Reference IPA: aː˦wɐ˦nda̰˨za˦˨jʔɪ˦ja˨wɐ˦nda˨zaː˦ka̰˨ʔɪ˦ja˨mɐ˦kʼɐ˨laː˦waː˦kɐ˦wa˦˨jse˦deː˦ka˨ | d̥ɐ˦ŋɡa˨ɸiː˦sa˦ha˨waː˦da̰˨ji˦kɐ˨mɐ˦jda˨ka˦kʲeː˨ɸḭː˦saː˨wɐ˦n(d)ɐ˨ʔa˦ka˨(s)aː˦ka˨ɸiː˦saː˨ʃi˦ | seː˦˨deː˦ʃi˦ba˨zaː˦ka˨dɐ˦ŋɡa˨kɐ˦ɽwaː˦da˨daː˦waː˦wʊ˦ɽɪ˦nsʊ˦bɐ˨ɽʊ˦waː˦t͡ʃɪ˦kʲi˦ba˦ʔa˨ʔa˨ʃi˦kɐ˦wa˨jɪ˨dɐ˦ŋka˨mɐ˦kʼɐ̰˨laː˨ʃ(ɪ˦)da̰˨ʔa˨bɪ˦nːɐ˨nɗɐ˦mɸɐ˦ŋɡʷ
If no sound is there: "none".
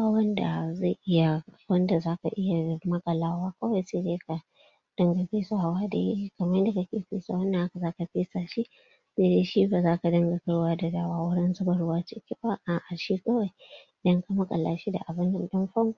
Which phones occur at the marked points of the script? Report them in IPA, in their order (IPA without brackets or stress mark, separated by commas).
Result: d, z, i˦